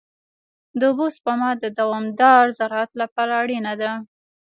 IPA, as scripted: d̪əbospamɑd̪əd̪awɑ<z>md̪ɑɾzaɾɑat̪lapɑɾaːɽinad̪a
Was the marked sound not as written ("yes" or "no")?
yes